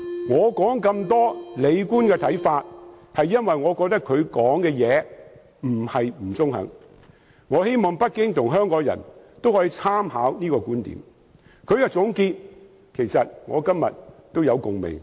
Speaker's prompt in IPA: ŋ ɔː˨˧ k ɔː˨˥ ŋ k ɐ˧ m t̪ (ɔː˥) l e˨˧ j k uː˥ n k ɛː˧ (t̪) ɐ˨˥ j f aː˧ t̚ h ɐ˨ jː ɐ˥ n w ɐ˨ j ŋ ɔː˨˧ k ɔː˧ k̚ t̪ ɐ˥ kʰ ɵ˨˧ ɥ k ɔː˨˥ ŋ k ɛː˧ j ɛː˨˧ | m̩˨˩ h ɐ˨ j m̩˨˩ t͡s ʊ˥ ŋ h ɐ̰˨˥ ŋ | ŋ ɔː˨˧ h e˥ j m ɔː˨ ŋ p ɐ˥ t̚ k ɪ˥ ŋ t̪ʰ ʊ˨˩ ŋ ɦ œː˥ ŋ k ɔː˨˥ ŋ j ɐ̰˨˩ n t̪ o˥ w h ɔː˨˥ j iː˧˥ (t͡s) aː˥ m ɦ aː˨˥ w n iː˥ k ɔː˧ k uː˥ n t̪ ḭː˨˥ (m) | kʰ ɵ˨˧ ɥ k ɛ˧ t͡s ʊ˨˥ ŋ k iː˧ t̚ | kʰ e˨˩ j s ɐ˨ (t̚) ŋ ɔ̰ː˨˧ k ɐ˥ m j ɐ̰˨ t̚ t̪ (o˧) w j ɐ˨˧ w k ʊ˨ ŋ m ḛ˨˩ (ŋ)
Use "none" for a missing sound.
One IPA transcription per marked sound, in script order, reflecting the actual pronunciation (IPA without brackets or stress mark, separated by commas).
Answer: ɔː˥, t̪ʰ, t͡sʰ, m, t̚, o˥, ŋ